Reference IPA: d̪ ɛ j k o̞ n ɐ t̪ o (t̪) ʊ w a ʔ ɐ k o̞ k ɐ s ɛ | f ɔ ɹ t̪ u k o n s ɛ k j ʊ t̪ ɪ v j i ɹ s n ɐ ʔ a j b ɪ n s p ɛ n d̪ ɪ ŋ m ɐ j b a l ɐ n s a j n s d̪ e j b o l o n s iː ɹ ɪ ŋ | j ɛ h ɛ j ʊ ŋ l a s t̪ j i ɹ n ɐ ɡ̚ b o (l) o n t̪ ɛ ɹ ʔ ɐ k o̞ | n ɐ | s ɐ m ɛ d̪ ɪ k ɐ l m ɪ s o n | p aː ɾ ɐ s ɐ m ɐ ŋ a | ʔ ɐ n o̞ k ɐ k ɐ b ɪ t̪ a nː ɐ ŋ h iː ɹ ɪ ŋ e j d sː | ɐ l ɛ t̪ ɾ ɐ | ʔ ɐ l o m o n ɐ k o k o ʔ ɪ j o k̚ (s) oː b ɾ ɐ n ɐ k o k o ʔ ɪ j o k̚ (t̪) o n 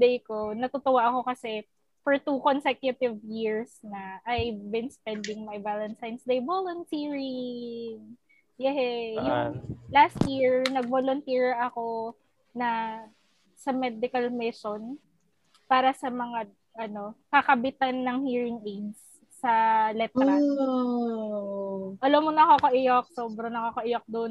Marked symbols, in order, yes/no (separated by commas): yes, yes, yes, no